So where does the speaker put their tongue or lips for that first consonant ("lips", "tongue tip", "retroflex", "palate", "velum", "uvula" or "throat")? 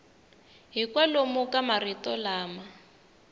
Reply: throat